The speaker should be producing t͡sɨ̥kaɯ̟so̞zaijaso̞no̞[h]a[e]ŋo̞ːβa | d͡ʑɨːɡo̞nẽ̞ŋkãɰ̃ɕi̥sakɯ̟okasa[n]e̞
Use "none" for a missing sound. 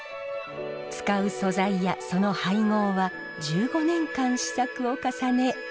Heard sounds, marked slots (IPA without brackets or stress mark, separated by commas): h, i, n